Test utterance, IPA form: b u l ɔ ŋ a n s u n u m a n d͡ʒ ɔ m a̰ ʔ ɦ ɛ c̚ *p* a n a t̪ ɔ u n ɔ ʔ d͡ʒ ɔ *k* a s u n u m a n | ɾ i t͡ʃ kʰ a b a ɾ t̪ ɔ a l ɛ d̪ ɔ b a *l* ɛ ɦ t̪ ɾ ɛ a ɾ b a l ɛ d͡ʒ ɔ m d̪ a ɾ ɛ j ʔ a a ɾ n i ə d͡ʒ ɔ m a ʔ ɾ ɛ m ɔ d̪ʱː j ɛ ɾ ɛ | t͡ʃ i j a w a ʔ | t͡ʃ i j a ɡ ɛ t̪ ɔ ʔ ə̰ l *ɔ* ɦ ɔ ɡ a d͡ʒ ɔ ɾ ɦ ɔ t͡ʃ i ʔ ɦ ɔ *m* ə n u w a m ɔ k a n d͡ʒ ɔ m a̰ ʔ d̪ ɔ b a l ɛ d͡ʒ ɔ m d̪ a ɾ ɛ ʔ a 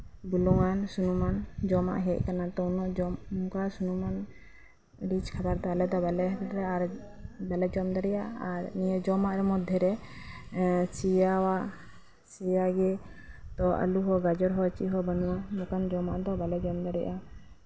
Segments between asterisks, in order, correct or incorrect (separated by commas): incorrect, correct, correct, incorrect, incorrect